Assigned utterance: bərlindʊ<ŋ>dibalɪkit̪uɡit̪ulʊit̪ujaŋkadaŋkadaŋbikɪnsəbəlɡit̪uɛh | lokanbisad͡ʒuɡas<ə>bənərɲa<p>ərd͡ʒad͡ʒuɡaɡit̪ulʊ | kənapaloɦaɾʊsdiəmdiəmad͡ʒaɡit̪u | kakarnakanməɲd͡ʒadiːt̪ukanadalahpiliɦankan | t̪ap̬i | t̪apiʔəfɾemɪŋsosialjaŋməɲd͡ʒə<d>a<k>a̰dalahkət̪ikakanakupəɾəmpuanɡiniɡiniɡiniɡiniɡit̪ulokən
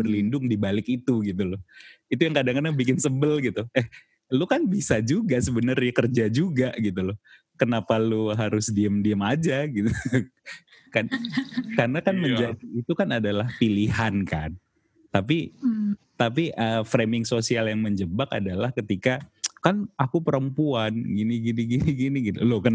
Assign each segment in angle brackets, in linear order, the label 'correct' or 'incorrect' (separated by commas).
correct, correct, incorrect, incorrect, correct